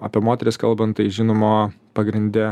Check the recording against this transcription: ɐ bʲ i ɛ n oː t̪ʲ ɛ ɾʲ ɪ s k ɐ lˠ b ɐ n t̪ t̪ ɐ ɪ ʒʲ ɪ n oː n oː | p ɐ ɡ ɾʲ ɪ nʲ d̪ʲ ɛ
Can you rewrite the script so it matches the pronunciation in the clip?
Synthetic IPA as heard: ɐ pʲ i ɛ m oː t̪ʲ ɛ ɾʲ ɪ s k ɐ lˠ b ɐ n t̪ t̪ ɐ ɪ ʒʲ ɪ n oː m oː | p ɐ ɡ ɾʲ ɪ nʲ d̪ʲ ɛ